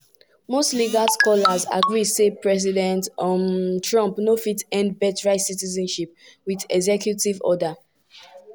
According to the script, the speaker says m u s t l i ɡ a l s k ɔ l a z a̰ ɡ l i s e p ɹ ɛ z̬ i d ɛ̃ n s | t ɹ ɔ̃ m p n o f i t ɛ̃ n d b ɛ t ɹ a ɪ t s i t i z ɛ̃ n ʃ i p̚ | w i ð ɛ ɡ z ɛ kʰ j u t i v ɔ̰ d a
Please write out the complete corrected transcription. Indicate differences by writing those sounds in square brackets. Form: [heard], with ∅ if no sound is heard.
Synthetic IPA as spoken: m [o] s t l i ɡ a l s k ɔ l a z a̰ ɡ [ɹ] i s e p ɹ ɛ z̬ i d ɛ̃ n [t] | t ɹ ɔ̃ m p n o f i t ɛ̃ n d b ɛ t ɹ a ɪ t s i t i z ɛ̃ n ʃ i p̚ | w i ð ɛ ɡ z ɛ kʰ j u t i v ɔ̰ d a